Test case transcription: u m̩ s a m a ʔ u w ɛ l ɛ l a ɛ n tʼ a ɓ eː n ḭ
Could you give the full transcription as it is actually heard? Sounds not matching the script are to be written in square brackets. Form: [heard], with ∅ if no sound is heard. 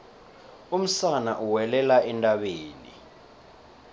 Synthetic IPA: u m̩ s a [n] a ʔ u w ɛ l ɛ l a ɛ n tʼ a ɓ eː n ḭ